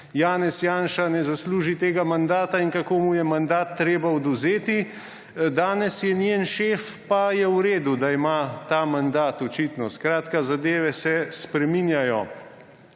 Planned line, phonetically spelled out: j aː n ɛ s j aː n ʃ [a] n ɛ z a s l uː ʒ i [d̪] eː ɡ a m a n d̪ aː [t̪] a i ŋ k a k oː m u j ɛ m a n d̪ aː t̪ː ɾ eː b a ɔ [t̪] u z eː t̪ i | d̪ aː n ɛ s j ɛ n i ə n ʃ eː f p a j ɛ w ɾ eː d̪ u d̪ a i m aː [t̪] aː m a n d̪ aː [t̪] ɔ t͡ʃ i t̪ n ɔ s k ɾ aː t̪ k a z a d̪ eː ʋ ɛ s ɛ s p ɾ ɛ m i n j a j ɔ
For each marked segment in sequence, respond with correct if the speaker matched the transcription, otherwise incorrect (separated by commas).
correct, incorrect, correct, incorrect, correct, correct